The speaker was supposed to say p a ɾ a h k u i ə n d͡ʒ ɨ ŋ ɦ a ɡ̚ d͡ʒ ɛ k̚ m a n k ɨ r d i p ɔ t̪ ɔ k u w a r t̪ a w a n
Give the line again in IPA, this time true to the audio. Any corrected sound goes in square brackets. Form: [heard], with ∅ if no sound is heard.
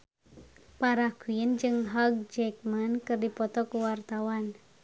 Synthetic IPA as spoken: p a ɾ a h k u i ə n d͡ʒ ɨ ŋ ɦ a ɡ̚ d͡ʒ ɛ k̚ m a n k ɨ r d i p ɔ t̪ ɔ k u w a r t̪ a w a n

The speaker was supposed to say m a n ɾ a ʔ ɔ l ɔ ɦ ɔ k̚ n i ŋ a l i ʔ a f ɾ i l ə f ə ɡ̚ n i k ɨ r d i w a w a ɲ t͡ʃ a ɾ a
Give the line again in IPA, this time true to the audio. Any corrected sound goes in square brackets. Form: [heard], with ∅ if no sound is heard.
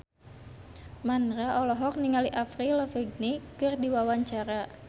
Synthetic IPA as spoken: m a n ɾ a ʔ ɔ l ɔ ɦ ɔ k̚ n i ŋ a l i ʔ a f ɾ i l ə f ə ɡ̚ n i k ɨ r d i w a w a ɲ t͡ʃ a ɾ a

